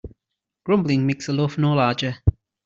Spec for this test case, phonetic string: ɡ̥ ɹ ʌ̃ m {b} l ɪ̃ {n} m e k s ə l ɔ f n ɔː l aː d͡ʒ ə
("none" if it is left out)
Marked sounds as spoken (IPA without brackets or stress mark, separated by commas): b, ŋ